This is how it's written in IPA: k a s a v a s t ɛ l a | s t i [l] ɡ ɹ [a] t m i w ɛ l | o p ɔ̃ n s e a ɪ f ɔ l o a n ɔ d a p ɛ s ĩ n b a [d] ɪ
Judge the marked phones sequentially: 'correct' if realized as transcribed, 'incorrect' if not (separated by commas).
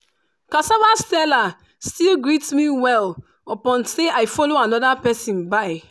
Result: correct, incorrect, incorrect